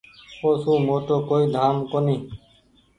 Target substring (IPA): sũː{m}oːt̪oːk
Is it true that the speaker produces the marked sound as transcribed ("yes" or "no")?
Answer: yes